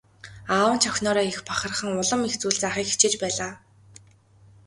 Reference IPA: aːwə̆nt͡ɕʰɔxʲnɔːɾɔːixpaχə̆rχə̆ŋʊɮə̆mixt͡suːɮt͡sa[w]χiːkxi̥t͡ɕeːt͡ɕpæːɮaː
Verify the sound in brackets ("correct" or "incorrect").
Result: incorrect